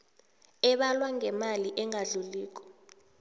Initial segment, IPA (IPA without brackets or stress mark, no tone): ɛ